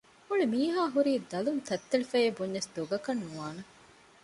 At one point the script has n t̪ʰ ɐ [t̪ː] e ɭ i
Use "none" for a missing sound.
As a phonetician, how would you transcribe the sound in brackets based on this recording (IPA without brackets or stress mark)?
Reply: t̪ː